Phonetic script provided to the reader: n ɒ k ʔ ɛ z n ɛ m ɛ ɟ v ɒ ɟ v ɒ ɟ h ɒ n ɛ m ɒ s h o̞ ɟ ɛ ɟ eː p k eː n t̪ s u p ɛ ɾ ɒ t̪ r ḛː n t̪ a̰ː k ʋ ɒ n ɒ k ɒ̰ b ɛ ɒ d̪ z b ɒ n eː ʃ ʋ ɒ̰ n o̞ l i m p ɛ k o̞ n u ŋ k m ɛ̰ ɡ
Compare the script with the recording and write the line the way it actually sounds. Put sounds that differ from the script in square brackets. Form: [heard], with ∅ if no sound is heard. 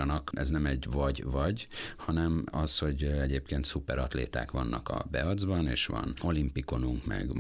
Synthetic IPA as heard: n ɒ k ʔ ɛ z n ɛ m ɛ ɟ v ɒ ɟ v ɒ ɟ h ɒ n ɛ m ɒ s h o̞ ɟ ɛ ɟ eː p k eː n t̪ s u p ɛ ɾ ɒ t̪ [l] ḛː [∅] t̪ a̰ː k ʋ ɒ [nː] ɒ k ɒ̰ b ɛ ɒ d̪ z b ɒ n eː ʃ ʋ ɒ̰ n o̞ l i m p [i] k o̞ n u ŋ k m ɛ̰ ɡ